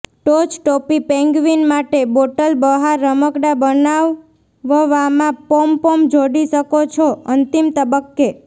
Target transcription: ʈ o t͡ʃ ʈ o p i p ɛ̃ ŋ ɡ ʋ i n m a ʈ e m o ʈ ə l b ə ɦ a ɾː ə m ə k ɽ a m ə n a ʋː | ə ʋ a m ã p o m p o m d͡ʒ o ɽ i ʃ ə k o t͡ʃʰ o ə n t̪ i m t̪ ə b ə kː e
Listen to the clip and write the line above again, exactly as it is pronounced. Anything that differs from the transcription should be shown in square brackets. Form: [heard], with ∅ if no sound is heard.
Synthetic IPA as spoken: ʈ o t͡ʃ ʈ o p i p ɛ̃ ŋ ɡ ʋ i n m a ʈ e [b] o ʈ ə l b ə ɦ a ɾː ə m ə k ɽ a [b] ə n a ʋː | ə ʋ a m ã p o m p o m d͡ʒ o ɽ i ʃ ə k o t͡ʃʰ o ə n t̪ i m t̪ ə b ə kː e